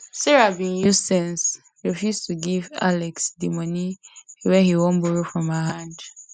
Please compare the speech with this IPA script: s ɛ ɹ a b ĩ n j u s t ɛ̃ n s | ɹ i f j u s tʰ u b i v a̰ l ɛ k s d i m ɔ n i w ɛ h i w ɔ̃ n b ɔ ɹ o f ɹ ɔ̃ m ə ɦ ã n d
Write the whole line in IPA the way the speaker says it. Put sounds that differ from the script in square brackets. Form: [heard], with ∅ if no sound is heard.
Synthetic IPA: s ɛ ɹ a b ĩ n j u s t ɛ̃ n s | ɹ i f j u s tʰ u [ɡ] i v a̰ l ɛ k s d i m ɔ n i w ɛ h i w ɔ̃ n b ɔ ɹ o f ɹ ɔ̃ m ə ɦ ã n d